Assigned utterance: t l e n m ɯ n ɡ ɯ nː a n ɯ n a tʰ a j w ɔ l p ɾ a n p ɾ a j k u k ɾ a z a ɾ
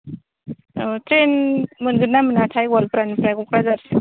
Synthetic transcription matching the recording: t ɾ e n m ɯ n ɡ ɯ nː a m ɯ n a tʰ a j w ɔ l p ɾ a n p ɾ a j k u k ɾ a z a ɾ